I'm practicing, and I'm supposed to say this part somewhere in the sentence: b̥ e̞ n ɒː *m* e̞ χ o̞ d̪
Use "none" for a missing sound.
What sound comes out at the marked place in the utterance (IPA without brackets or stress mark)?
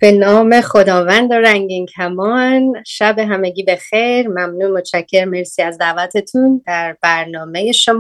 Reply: m